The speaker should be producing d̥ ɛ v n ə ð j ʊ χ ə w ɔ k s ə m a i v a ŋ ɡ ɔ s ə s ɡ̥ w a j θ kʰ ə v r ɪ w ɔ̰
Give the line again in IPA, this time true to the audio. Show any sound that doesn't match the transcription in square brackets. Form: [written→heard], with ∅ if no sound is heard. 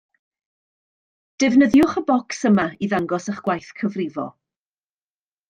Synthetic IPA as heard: d̥ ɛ v n ə ð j ʊ χ ə [w→b] ɔ k s ə m a i [v→ð] a ŋ ɡ ɔ s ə [s→χ] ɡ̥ w a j θ kʰ ə v r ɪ [w→v] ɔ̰

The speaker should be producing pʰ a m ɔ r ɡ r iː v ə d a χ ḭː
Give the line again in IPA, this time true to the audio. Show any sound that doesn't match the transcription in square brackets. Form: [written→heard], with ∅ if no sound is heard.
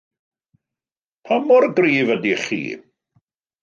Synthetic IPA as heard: pʰ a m ɔ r ɡ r iː v ə d [a→i] χ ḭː

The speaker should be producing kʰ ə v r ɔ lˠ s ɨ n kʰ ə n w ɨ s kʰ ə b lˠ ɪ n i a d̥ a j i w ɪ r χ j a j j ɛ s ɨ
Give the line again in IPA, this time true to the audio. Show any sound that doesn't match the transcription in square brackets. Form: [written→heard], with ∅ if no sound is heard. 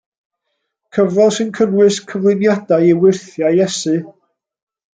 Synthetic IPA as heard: kʰ ə v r ɔ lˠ s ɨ n kʰ ə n w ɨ s kʰ ə [b→v] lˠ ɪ n [i→j] a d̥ a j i w ɪ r [χ→θ] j a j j ɛ s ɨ

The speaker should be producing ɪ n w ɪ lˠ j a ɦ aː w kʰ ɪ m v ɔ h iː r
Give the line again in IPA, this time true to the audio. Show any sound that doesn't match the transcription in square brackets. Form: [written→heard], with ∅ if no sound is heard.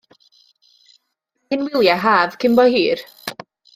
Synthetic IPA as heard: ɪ n w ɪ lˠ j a ɦ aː [w→v] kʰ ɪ m [v→b] ɔ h iː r

